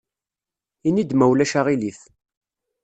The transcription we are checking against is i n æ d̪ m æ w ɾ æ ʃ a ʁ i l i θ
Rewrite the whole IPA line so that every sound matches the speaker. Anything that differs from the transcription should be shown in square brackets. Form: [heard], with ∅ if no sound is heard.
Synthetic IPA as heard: i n [i] d̪ m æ w [l] æ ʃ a ʁ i l i θ